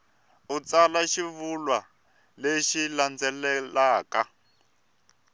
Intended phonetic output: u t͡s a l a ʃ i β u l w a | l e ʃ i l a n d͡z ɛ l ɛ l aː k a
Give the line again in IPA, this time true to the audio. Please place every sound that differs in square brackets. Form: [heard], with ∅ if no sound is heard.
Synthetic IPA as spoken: u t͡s a l a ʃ i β u l w a | l e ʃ i l a n d͡z ɛ l ɛ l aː k a